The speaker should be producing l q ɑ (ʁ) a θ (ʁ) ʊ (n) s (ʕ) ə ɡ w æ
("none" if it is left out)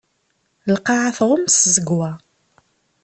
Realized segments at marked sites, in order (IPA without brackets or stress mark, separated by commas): ʕ, ʁ, m, z